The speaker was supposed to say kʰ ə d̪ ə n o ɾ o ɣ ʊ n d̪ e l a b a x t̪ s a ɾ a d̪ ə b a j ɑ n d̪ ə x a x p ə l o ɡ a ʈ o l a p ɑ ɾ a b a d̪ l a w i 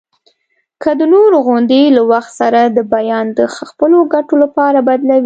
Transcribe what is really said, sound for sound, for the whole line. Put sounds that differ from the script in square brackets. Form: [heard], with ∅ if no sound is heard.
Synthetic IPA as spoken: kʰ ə d̪ ə n o ɾ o ɣ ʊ n d̪ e l a [w] a x t̪ s a ɾ a d̪ ə b a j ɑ n d̪ ə x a x p ə l o ɡ a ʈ o l a p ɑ ɾ a b a d̪ l a w i